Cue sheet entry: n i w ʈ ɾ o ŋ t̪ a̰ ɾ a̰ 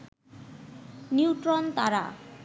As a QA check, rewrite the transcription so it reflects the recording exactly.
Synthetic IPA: n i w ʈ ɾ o n t̪ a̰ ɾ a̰